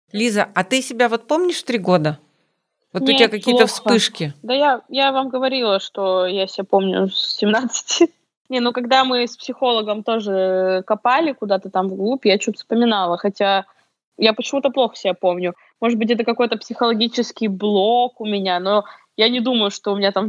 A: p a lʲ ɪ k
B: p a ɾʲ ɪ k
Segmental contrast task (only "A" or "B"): A